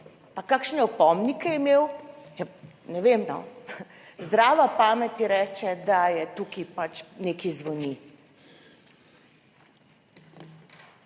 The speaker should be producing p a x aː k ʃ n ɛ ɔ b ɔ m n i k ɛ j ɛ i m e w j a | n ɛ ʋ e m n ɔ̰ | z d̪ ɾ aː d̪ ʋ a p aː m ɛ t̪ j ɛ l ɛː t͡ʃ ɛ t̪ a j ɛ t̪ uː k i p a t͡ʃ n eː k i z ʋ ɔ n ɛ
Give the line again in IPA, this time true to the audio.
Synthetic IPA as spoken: p a k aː k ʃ n ɛ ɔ p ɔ m n i k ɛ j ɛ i m e w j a | n ɛ ʋ e m n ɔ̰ | z d̪ ɾ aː ʋ a p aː m ɛ t̪ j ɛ ɾ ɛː t͡ʃ ɛ d̪ a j ɛ t̪ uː k i p a t͡ʃ n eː k i z ʋ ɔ n i